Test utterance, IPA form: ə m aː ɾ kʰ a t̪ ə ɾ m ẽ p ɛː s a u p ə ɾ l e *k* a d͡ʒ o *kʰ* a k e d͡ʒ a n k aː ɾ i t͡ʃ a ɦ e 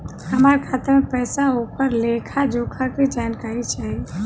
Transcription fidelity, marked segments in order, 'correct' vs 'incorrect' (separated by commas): incorrect, correct